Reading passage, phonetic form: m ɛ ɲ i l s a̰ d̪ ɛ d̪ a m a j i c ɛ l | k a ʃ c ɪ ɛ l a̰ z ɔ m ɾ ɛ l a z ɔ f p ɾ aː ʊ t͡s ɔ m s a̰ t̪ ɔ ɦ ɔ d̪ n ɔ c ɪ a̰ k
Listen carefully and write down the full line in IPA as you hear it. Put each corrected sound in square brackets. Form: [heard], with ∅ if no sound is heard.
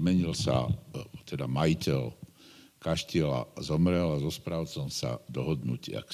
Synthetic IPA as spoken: m ɛ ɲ i l s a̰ [t̪] ɛ d̪ a m a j i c ɛ l | k a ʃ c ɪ ɛ l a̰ z ɔ m ɾ ɛ l a z ɔ [s] p ɾ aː ʊ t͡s ɔ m s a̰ [d̪] ɔ ɦ ɔ d̪ n [u] c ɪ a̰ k